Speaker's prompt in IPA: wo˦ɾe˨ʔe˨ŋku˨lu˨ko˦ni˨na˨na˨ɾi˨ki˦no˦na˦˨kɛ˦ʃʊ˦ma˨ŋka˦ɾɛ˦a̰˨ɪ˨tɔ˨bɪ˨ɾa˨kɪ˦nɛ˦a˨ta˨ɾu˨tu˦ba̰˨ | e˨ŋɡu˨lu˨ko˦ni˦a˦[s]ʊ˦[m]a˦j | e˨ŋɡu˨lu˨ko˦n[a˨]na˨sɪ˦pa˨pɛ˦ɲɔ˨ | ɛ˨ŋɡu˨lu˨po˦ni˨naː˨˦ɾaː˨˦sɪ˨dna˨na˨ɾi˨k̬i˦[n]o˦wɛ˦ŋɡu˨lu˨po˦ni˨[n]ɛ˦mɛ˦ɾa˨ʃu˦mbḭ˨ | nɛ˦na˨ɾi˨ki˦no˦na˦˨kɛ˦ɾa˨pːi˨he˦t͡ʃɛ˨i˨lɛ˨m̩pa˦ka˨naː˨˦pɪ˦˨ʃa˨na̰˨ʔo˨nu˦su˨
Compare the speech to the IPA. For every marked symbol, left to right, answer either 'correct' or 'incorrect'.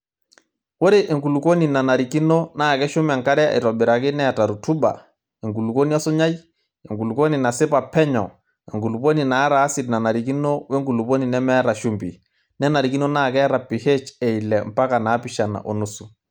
correct, incorrect, incorrect, correct, correct

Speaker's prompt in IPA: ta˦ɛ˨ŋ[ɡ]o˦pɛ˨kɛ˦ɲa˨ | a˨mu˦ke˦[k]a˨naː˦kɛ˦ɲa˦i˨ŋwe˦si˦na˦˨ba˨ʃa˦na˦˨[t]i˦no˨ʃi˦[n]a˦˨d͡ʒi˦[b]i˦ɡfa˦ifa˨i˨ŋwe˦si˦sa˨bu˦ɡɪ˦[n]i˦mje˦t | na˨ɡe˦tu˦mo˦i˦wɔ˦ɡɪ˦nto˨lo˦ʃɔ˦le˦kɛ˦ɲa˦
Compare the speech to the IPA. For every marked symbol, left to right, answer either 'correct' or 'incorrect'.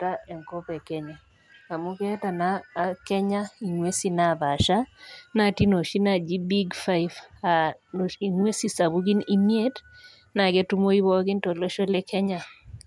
incorrect, incorrect, correct, correct, correct, correct

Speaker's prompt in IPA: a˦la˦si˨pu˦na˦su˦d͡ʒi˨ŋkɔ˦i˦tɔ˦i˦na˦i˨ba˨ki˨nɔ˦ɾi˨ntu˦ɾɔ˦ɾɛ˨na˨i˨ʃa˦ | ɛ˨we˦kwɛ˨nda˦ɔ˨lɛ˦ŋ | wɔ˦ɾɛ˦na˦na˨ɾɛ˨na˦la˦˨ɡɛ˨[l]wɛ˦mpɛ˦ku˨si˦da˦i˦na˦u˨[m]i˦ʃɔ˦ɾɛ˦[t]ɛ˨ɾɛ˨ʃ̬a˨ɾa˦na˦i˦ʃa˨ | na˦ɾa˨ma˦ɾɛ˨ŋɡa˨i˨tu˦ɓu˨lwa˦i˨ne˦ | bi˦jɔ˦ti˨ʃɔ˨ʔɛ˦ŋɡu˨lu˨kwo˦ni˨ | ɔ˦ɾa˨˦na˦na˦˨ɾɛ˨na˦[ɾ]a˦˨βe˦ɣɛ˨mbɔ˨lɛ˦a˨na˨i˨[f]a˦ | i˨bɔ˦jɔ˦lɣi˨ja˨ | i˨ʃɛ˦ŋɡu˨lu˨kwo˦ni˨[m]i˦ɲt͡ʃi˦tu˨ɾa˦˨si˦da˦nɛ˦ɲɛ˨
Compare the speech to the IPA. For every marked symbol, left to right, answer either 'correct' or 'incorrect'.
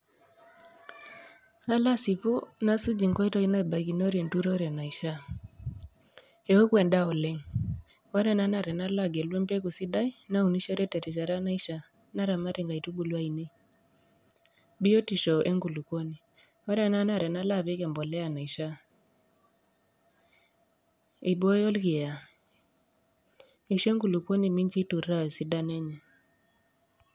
correct, incorrect, correct, incorrect, incorrect, correct

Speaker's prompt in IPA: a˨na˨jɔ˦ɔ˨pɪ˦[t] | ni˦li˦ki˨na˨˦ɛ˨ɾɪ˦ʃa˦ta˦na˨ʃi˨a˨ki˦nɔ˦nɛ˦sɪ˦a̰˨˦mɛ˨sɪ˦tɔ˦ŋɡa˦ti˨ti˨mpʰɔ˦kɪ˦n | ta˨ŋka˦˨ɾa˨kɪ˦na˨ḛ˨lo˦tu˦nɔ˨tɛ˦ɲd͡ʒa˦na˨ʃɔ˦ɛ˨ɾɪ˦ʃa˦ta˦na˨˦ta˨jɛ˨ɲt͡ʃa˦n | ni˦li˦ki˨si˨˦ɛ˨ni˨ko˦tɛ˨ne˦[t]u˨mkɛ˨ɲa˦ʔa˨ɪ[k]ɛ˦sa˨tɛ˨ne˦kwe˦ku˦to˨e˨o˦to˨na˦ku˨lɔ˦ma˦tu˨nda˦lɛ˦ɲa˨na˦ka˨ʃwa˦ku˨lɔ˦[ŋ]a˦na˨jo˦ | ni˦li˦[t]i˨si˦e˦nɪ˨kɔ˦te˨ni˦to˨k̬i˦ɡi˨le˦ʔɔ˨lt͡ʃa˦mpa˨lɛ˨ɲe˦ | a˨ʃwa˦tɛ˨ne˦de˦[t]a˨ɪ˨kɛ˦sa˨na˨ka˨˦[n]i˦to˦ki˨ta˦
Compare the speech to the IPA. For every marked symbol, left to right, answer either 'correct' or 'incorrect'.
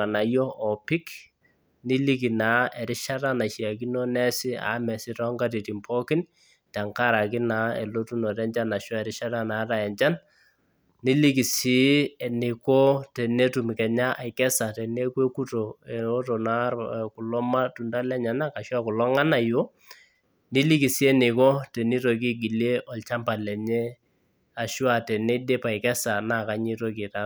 incorrect, correct, correct, correct, incorrect, incorrect, incorrect

